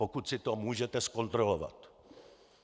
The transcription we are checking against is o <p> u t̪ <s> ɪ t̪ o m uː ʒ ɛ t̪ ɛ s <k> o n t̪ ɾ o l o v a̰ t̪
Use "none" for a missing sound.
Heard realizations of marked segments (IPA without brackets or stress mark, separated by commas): k, s, k